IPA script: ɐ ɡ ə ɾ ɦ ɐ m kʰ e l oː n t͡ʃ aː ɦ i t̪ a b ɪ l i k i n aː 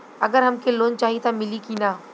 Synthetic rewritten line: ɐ ɡ ə ɾ ɦ ɐ m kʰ e l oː n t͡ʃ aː ɦ i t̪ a m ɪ l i k i n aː